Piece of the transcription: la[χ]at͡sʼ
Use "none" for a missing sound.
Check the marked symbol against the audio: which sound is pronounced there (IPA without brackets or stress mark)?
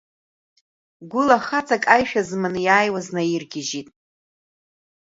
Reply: χ